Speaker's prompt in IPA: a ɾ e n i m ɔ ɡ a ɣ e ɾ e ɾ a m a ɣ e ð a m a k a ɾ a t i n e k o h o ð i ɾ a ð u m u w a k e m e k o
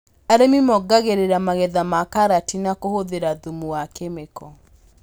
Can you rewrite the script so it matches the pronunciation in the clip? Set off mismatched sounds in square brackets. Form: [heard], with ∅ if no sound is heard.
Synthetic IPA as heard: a ɾ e [m] i m ɔ ɡ a ɣ e ɾ e ɾ a m a ɣ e ð a m a k a ɾ a t i n [a] k o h o ð [e] ɾ a ð u m u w a k e m e k [ɔ]